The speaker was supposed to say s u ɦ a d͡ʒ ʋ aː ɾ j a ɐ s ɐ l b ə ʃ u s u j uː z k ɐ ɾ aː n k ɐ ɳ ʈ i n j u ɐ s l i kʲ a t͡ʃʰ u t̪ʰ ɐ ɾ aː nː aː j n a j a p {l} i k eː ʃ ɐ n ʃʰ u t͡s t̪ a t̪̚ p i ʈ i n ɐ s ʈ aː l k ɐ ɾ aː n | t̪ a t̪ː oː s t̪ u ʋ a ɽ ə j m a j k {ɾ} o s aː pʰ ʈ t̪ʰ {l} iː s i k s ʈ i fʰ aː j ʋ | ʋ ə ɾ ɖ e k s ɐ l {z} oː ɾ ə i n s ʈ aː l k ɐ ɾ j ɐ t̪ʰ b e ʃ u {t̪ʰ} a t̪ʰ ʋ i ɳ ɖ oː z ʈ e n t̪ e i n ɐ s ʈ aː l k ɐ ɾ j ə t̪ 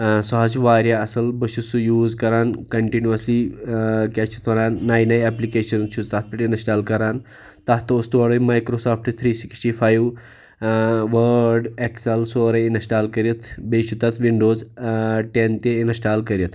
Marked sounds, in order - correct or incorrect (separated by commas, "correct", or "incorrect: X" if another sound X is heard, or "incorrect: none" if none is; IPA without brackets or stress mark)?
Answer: correct, correct, incorrect: ɾ, incorrect: s, incorrect: t̪